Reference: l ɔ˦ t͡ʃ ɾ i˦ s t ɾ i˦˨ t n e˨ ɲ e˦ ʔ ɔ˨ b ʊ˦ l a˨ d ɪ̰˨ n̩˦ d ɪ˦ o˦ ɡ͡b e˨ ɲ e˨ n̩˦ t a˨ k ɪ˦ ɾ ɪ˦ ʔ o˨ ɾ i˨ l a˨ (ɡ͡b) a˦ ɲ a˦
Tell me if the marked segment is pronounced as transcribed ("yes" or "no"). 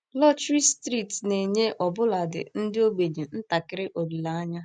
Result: no